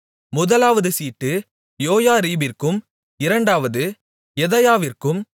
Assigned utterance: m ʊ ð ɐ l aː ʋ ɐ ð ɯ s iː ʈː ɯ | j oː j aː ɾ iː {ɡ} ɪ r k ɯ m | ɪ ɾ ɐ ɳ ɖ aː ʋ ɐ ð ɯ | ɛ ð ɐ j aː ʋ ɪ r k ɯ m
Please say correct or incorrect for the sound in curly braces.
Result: incorrect